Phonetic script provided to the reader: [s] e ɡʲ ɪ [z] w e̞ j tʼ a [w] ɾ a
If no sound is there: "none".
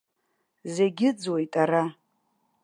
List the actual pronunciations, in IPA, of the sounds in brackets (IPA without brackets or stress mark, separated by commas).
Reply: z, d͡z, none